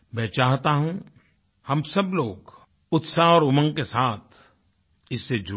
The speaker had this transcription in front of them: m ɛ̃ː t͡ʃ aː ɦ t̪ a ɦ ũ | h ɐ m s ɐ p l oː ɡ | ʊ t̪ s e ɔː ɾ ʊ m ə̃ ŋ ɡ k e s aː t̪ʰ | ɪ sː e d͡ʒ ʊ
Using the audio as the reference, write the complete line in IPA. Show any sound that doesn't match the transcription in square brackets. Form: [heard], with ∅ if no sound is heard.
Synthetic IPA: m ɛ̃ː t͡ʃ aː ɦ t̪ a ɦ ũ | h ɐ m s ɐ [b] l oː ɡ | ʊ t̪ s [a] ɔː ɾ ʊ m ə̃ ŋ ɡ k e s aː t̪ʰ | ɪ sː e d͡ʒ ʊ